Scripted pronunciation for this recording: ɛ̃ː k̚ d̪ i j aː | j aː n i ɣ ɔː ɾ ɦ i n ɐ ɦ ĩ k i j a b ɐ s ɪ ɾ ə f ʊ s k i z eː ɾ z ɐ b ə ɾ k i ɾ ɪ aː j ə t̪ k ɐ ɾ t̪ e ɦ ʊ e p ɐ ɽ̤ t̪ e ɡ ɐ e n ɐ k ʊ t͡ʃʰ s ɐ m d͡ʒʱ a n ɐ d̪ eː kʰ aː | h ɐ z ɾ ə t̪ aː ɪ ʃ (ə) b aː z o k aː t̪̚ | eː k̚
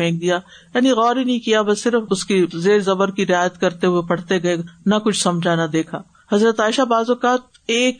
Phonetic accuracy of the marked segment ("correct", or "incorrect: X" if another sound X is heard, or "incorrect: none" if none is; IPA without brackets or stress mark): incorrect: a